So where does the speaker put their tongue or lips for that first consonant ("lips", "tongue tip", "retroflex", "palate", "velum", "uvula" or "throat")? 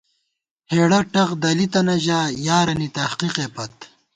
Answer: throat